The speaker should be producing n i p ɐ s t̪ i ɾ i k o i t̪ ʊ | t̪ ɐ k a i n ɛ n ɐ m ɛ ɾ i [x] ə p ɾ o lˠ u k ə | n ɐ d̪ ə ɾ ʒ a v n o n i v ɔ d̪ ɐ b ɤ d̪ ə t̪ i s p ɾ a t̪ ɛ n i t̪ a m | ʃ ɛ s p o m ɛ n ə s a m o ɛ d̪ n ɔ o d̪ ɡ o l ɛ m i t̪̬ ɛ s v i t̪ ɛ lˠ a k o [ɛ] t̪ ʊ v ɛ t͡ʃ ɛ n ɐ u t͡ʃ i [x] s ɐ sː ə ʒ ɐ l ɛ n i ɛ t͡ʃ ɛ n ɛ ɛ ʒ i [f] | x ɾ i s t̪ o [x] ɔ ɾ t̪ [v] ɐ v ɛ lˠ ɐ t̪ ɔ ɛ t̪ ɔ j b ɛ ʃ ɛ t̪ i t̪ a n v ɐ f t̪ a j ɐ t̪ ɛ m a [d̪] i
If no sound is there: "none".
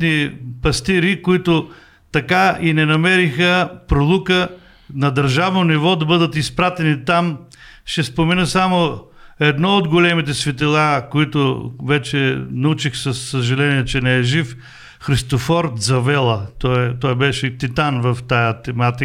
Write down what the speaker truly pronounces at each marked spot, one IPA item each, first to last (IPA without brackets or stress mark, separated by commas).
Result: x, i, x, f, f, z, t̪